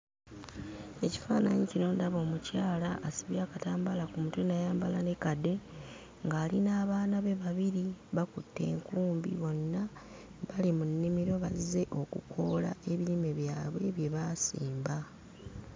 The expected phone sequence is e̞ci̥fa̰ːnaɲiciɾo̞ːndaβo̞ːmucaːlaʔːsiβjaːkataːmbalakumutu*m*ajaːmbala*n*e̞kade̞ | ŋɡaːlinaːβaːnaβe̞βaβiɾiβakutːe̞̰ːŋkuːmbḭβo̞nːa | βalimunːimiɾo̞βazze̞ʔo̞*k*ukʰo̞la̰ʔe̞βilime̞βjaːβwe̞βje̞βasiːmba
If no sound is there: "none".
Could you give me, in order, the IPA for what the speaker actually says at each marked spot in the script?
n, n, k

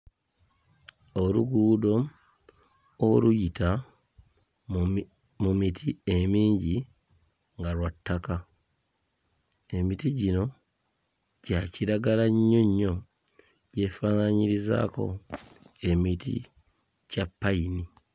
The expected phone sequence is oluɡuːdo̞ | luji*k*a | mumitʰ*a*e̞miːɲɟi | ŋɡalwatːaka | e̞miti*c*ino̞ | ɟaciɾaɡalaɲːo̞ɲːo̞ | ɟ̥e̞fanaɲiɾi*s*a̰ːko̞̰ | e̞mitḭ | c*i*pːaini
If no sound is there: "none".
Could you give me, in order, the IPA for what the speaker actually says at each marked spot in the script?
t, i, ɟ, z, a

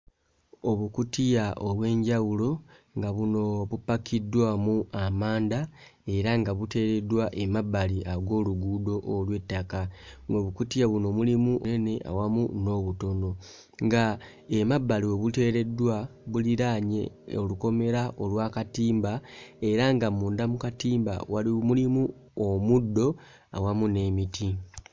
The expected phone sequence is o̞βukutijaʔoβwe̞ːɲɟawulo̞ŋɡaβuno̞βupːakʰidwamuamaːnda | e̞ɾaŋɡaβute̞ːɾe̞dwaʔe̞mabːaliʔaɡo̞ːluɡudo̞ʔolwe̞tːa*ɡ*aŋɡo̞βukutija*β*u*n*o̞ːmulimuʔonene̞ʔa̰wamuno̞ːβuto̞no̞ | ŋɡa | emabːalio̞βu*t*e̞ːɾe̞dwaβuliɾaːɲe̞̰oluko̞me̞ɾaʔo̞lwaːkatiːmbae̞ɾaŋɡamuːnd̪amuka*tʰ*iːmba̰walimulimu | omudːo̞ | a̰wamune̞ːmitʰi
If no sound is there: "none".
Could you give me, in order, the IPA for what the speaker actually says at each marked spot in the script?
k, β, n, t, t

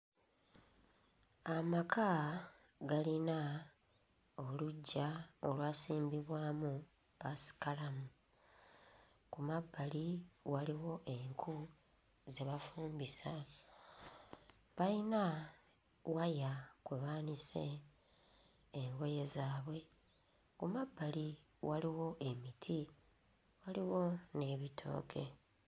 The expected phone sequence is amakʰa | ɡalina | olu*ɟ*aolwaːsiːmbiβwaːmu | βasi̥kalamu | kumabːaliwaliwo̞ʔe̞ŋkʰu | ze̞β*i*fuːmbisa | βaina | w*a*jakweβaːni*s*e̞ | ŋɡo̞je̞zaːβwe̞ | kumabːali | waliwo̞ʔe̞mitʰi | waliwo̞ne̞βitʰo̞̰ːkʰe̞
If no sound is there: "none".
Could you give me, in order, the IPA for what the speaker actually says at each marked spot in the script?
ɟː, a, a, s

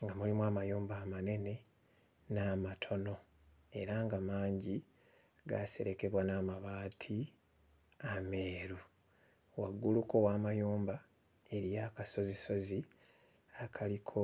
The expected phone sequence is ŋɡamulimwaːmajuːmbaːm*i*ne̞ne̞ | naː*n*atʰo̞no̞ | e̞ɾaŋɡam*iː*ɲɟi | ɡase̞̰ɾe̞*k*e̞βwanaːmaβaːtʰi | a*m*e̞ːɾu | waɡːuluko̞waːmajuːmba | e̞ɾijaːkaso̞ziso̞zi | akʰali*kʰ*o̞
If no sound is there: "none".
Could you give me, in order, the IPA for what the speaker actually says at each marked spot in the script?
a, m, aː, k, m, kʰ

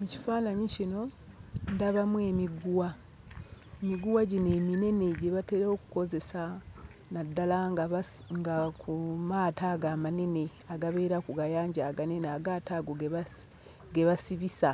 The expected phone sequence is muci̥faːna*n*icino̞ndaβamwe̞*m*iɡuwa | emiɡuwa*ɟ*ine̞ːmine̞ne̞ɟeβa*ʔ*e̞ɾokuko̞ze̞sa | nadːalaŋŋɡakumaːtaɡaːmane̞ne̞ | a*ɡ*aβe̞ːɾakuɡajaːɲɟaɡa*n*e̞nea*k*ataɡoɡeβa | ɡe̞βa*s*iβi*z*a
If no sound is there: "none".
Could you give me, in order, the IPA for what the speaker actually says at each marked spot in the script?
ɲ, m, ɟ, t, ɡ, n, ɡ, s, s

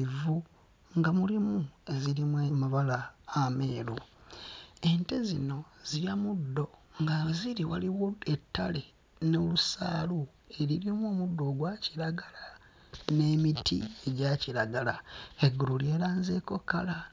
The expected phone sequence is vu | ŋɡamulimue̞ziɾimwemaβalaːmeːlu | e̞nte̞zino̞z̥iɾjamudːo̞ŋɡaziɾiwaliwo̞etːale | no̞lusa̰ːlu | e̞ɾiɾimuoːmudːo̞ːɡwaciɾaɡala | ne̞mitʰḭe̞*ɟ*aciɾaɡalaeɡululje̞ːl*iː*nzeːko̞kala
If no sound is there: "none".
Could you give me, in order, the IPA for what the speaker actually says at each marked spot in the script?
ɟ, aː

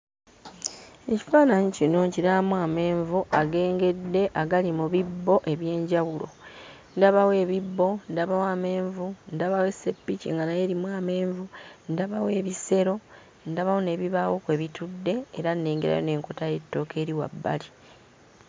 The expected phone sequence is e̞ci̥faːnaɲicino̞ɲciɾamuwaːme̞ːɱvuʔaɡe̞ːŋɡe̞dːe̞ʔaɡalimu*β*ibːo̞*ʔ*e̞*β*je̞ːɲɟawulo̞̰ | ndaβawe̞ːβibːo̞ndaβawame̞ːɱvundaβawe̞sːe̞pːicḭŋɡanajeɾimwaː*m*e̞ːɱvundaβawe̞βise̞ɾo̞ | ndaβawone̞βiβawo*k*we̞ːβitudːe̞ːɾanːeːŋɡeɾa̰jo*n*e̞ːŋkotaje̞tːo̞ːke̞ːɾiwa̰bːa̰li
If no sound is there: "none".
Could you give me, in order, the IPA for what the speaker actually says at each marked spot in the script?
β, ʔ, β, m, k, n

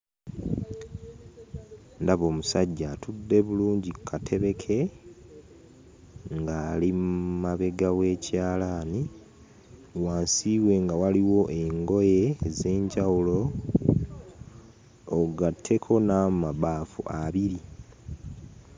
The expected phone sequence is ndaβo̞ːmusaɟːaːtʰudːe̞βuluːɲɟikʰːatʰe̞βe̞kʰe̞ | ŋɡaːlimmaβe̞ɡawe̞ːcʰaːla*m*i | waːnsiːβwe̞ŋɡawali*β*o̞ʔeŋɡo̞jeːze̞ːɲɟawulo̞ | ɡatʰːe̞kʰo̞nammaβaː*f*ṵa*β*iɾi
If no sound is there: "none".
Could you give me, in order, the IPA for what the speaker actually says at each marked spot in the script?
n, w, f, β

